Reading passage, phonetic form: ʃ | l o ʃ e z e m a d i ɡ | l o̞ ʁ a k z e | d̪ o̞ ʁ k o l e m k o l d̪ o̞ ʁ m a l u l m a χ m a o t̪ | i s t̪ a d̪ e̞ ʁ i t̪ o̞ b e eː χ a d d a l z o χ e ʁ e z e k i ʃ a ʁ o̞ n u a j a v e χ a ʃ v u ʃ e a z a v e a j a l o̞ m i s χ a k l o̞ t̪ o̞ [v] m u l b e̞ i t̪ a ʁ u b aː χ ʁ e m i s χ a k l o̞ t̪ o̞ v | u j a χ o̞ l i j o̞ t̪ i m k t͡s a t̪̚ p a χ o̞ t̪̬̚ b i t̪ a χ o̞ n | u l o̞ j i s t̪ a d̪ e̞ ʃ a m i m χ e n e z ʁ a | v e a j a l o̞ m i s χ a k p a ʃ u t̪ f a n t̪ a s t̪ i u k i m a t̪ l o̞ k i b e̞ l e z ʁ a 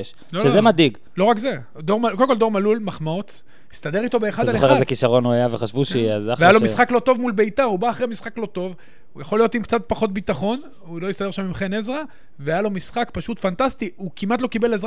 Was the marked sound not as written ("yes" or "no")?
no